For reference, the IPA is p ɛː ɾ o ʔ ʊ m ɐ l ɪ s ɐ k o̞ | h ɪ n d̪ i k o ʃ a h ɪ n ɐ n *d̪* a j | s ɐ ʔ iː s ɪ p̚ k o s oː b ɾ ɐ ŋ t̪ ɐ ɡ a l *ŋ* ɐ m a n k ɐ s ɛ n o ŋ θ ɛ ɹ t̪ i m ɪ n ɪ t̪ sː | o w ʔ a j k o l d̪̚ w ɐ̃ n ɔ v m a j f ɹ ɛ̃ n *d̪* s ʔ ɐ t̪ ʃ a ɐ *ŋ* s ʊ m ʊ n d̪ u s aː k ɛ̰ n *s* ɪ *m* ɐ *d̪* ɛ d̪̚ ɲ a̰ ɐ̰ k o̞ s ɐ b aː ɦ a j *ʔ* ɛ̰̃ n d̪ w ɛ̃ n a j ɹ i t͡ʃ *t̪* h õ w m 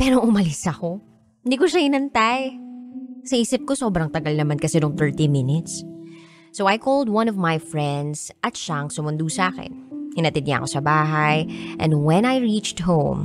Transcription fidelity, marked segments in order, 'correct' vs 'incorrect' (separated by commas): incorrect, incorrect, correct, correct, incorrect, incorrect, incorrect, correct, correct